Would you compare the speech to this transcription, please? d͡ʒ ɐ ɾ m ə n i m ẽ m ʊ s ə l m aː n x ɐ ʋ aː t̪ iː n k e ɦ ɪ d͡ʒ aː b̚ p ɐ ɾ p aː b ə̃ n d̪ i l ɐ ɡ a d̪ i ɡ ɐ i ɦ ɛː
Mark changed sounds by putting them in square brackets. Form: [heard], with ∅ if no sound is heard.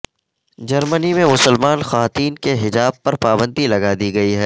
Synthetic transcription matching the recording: d͡ʒ ɐ ɾ m ə n i m ẽ m ʊ s ə l m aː n x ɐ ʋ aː t̪ iː n k e ɦ ɪ d͡ʒ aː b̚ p ɐ ɾ p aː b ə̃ n d̪ i l ɐ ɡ a d̪ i ɡ ɐ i ɦ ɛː